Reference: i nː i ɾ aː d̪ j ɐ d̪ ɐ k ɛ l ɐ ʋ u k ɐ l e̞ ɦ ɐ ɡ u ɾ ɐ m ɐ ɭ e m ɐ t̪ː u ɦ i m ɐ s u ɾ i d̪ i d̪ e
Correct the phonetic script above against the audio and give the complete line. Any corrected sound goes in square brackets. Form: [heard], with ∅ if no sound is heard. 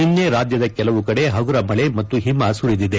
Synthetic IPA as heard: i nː [e] ɾ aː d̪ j ɐ d̪ ɐ k ɛ l ɐ ʋ u k ɐ [ɽ] e̞ ɦ ɐ ɡ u ɾ ɐ m ɐ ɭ e m ɐ t̪ː u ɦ i m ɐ s u ɾ i d̪ i d̪ e